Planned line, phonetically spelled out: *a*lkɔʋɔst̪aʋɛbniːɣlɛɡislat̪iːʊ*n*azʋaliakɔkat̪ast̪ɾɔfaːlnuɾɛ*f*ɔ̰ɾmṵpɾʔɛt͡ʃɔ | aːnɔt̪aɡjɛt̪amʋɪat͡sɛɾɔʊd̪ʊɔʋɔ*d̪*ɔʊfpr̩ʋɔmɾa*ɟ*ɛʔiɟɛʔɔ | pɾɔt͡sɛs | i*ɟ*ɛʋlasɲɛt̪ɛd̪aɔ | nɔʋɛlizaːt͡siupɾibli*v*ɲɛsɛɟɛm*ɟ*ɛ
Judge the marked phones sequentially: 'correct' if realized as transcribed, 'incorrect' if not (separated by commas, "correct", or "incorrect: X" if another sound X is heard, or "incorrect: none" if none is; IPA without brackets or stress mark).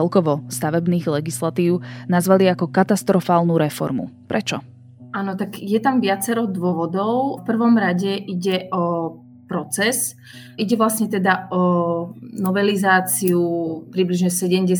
incorrect: ɛ, correct, correct, correct, correct, correct, incorrect: ʒ, correct